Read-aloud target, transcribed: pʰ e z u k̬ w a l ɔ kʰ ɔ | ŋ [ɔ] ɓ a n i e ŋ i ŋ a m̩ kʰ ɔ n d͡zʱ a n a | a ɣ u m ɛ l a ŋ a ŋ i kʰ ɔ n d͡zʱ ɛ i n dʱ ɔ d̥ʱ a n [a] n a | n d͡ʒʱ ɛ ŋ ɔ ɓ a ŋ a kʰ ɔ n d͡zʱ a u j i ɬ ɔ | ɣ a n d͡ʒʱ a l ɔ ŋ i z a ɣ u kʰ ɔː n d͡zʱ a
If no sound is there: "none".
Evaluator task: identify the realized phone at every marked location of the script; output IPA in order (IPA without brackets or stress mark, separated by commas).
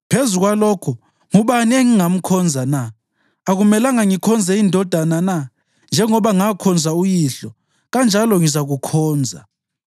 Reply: u, a